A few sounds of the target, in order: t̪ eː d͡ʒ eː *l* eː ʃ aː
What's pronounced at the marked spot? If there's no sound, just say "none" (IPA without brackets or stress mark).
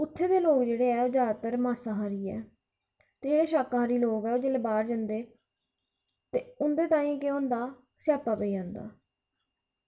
ɽ